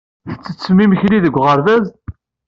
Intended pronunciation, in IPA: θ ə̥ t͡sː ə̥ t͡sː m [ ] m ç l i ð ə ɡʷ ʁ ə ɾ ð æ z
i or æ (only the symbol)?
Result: i